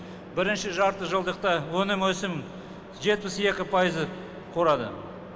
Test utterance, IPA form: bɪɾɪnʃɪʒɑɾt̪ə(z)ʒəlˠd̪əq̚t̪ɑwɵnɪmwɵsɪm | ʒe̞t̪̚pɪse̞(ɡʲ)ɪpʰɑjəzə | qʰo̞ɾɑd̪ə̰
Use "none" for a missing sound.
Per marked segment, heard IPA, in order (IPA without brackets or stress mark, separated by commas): none, kʲ